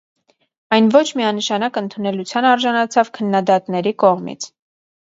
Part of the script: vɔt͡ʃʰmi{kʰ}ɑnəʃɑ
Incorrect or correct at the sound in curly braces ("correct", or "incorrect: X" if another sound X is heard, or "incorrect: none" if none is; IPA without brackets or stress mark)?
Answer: incorrect: none